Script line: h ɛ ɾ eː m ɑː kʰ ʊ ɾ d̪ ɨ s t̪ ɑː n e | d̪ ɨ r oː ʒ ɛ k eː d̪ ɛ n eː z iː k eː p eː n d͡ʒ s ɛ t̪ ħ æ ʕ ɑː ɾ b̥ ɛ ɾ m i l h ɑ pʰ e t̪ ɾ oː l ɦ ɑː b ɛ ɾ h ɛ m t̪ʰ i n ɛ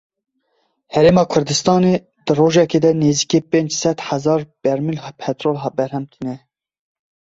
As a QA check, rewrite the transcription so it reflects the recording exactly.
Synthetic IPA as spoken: h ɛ ɾ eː m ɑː kʰ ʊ ɾ d̪ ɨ s t̪ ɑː n e | d̪ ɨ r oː ʒ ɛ k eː d̪ ɛ n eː z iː k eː p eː n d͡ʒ s ɛ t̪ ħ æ z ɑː ɾ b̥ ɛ ɾ m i l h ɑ pʰ ɛ t̪ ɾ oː l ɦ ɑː b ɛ ɾ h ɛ m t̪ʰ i n ɛ